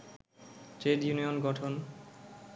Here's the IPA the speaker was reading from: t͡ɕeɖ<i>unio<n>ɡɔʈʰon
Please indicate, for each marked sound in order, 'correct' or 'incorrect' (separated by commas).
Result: incorrect, correct